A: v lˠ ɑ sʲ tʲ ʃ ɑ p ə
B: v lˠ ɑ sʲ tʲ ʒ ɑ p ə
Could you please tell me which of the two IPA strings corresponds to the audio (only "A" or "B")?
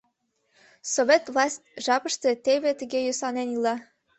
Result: B